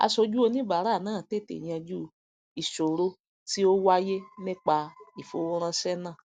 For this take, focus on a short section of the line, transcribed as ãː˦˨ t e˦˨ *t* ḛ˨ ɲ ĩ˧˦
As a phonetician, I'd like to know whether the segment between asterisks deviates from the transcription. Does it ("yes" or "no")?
no